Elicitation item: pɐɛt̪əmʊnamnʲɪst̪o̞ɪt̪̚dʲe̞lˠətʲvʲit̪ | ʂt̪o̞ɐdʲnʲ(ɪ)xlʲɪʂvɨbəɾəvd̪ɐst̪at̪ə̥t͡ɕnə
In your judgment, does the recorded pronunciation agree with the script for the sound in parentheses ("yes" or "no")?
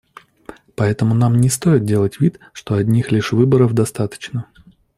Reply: no